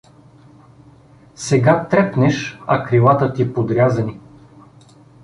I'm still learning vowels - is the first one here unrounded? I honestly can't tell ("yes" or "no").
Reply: yes